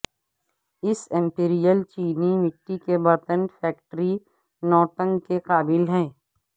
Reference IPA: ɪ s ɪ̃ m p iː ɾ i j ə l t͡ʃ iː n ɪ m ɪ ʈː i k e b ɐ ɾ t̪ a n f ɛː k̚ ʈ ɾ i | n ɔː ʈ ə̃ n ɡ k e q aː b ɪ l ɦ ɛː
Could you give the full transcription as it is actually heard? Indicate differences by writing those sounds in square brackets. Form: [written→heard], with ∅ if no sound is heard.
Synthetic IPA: ɪ s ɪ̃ m p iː ɾ i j ə l t͡ʃ iː n [ɪ→i] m ɪ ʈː i k e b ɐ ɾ t̪ [a→ə] n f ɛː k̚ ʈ ɾ i | n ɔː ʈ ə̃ [n→ŋ] ɡ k e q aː b ɪ l ɦ ɛː